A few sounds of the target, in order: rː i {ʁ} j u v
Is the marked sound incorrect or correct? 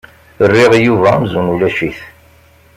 correct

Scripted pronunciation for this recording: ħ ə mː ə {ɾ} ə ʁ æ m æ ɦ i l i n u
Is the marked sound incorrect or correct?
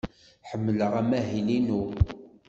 incorrect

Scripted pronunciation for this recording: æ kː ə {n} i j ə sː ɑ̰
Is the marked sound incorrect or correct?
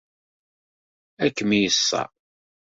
incorrect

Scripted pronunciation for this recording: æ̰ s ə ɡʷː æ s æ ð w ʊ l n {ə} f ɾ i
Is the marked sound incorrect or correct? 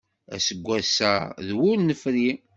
correct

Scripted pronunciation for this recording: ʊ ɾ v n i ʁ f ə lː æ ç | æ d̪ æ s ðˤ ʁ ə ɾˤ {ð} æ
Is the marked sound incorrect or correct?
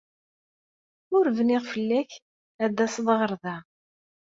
correct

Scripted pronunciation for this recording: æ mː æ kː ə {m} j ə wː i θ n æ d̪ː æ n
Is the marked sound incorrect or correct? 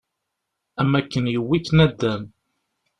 incorrect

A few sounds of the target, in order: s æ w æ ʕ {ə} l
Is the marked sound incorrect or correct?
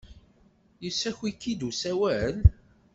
correct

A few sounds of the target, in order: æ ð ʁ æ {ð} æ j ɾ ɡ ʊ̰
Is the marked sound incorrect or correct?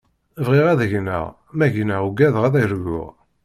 correct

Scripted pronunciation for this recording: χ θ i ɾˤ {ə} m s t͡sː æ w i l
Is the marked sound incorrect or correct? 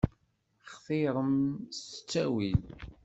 correct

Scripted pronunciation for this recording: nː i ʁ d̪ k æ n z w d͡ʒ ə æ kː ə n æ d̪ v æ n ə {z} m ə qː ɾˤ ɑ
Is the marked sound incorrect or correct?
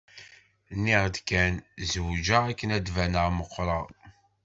incorrect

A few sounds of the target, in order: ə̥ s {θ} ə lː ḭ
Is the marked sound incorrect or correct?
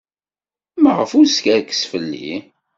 incorrect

